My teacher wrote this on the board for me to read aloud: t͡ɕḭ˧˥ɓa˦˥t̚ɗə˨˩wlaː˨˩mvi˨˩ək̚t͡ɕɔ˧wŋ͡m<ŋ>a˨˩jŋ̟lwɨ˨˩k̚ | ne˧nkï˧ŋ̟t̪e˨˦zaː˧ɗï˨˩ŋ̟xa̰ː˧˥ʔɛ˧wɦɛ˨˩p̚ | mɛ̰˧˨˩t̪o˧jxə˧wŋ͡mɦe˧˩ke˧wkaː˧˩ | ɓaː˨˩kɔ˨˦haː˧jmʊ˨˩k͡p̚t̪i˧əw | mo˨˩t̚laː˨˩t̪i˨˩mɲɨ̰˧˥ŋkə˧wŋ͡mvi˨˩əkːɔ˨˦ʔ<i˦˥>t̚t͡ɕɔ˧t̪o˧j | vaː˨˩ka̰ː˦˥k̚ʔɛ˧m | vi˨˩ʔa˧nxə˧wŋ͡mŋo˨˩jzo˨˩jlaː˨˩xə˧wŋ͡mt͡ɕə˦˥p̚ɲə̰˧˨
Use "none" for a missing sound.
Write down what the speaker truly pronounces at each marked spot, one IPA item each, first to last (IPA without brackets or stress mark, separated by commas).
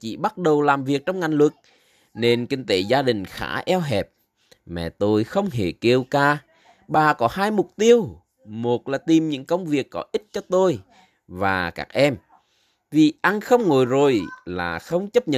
ŋ, i˦˥